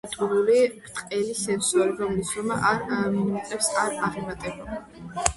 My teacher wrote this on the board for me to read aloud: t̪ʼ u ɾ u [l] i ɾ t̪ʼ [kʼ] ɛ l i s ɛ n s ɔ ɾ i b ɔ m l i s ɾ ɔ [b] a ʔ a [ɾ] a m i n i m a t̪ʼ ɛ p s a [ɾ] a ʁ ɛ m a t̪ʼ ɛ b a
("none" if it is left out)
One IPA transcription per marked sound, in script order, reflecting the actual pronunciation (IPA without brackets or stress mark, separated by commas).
l, qʼ, m, ɾ, ɾ